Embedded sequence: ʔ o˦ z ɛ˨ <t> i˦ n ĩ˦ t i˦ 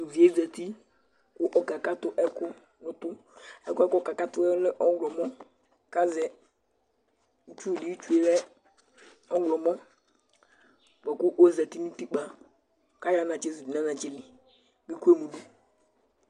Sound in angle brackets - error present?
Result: no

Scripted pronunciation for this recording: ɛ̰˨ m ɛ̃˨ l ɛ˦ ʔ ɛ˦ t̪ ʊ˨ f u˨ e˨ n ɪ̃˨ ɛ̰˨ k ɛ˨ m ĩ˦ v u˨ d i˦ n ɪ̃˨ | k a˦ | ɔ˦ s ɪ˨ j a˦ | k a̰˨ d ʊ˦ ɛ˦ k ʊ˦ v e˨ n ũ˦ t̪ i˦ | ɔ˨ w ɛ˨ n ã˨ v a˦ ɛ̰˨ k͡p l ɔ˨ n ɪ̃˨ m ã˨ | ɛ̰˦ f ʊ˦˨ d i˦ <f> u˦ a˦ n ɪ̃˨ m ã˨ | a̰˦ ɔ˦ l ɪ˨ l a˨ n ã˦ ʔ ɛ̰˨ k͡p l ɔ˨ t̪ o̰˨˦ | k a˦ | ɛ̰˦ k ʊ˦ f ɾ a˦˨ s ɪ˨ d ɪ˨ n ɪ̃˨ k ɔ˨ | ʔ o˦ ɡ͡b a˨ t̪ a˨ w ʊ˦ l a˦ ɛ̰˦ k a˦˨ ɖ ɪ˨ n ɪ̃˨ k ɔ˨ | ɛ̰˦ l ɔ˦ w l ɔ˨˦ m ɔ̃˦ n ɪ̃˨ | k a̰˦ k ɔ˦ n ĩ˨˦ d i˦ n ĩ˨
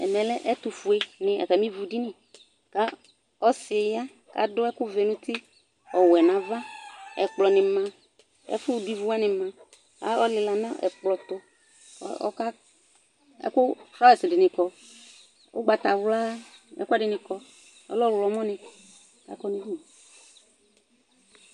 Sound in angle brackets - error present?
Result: yes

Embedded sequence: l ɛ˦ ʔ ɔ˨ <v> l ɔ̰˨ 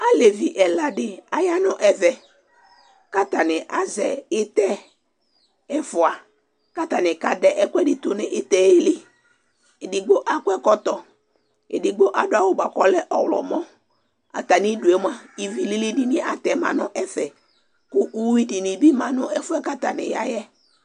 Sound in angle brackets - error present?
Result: yes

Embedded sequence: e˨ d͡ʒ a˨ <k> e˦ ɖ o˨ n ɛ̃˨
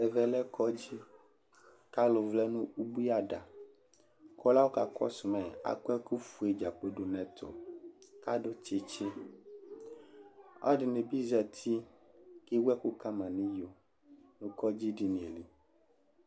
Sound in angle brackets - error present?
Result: yes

